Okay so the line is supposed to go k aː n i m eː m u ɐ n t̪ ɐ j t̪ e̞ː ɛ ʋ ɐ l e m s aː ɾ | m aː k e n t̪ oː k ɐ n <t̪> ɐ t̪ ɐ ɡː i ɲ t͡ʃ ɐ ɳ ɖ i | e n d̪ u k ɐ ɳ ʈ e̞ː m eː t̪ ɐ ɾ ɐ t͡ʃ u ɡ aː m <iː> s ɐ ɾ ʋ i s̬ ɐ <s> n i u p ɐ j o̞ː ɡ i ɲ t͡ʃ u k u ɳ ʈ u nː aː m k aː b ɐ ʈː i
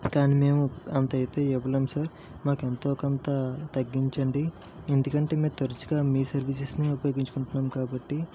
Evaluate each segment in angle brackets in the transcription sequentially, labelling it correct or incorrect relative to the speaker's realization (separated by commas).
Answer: correct, correct, correct